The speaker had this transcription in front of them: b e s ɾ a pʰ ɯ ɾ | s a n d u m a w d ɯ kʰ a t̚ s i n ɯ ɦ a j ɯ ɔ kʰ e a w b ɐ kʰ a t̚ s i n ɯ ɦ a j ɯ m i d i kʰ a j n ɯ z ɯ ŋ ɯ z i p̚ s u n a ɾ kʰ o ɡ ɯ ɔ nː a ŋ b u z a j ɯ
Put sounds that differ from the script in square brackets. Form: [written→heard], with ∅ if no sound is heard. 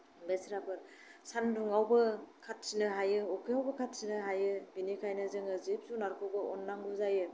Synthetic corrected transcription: b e s ɾ a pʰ ɯ ɾ | s a n d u [m→ŋ] a w [d→b] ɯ kʰ a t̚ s i n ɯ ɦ a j ɯ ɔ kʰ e a w b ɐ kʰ a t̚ s i n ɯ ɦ a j ɯ [m→b] i [d→n] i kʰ a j n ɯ z ɯ ŋ ɯ z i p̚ s u n a ɾ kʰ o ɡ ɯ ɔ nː a ŋ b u z a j ɯ